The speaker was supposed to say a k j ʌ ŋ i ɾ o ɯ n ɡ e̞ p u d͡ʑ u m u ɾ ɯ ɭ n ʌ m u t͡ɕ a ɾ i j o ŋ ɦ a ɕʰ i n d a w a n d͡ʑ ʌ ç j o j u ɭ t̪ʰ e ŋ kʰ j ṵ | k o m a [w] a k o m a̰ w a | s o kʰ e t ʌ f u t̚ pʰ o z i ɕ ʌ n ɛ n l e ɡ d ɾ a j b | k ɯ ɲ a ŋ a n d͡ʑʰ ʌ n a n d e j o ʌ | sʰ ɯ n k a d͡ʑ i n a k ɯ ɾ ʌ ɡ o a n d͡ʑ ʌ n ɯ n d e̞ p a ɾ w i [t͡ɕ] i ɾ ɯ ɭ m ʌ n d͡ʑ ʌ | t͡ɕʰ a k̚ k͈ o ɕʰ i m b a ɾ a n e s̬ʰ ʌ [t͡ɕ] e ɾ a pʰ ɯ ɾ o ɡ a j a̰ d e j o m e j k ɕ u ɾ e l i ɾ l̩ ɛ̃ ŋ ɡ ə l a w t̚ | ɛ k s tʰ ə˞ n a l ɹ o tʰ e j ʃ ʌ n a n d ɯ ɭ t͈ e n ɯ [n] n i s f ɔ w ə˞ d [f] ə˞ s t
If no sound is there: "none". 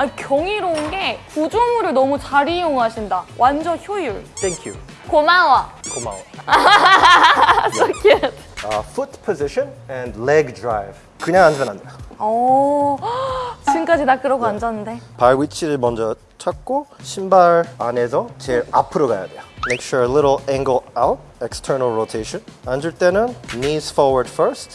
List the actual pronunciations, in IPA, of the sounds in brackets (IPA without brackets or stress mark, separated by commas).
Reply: w, t͡ɕʰ, t͡ɕ, n, f